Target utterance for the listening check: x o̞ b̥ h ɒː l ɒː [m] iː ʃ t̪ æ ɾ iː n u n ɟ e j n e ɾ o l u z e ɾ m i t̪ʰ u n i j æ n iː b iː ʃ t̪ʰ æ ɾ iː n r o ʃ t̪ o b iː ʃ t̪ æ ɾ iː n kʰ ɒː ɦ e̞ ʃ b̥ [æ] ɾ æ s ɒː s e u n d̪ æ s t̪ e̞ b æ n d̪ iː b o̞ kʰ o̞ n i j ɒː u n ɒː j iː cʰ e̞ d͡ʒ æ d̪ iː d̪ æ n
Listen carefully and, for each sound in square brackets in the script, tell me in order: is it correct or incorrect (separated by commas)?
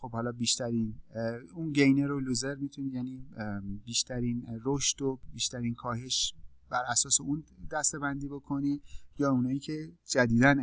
incorrect, correct